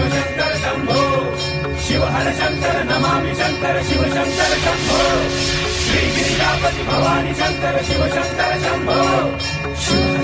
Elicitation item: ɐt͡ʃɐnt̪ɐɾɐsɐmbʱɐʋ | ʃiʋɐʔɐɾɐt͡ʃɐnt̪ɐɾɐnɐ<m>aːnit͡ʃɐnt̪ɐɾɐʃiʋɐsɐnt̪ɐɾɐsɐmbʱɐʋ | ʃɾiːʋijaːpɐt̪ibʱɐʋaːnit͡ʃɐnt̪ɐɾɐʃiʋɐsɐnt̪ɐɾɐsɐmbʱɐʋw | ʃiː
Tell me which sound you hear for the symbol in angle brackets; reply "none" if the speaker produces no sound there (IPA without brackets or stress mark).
m